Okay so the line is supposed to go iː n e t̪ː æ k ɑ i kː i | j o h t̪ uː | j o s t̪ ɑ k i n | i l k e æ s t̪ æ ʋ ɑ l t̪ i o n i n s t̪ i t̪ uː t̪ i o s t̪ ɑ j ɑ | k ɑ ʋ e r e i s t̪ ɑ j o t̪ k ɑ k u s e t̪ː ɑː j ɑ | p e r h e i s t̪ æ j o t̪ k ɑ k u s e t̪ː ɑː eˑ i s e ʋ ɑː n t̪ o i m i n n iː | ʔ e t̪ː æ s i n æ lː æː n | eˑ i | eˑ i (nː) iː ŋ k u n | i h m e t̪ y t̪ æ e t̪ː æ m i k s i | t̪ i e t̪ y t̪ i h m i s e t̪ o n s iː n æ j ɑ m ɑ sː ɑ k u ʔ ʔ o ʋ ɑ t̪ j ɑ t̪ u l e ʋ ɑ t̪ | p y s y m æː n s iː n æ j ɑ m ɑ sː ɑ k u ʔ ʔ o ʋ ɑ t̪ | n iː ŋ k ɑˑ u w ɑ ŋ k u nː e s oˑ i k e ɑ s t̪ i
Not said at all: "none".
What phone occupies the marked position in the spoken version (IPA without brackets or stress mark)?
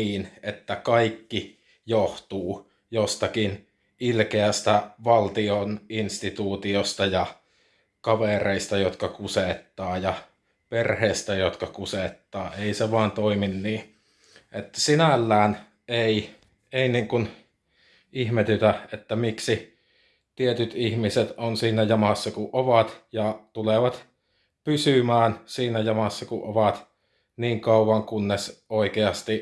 n